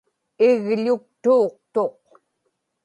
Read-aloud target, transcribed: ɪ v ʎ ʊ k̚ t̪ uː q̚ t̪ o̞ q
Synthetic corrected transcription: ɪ ɣ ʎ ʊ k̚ t̪ uː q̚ t̪ o̞ q